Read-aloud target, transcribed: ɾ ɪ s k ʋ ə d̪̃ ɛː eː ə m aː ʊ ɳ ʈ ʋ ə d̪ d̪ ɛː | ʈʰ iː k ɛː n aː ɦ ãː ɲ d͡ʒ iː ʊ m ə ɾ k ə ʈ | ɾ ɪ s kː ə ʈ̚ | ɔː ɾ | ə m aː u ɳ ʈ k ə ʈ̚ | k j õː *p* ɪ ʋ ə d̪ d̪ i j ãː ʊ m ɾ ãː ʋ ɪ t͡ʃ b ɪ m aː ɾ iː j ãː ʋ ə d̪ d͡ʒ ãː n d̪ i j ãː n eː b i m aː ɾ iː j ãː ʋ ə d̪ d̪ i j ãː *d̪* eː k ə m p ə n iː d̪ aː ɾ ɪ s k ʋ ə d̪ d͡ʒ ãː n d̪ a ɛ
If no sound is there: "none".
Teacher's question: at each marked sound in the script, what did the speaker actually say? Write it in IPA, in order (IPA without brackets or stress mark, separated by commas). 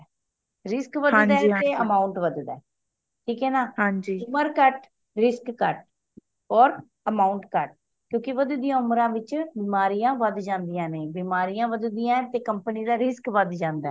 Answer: k, t̪